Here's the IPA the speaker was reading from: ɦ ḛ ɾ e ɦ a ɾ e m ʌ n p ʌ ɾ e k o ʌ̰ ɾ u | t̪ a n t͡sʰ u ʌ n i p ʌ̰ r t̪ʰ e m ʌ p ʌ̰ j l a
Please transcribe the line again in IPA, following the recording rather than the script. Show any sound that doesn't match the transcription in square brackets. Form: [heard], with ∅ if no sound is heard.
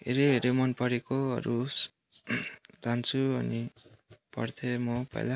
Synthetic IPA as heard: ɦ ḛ ɾ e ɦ [e] ɾ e m ʌ n p ʌ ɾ e k o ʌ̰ ɾ u | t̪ a n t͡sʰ u ʌ n i p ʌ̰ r t̪ʰ e m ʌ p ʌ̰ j l a